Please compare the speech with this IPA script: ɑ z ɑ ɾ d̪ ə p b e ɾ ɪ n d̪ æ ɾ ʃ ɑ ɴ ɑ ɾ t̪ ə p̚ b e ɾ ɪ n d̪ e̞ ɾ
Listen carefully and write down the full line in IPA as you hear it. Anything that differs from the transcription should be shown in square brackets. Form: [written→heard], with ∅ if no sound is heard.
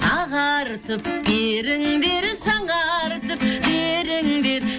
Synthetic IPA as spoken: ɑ [z→ʁ] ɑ ɾ [d̪→t̪] ə p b e ɾ ɪ [n→ŋ] d̪ [æ→e] ɾ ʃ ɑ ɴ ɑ ɾ t̪ ə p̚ b e ɾ ɪ [n→ŋ] d̪ e̞ ɾ